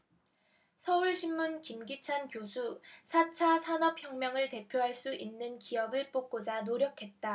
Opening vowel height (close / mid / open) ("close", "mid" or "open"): mid